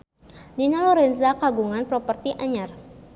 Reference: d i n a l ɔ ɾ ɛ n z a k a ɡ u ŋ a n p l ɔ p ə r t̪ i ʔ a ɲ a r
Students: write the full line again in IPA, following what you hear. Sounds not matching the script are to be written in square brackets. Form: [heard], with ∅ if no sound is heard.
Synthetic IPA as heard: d i n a l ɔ ɾ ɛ n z a k a ɡ u ŋ a n p [ɾ] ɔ p ə r t̪ i ʔ a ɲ a r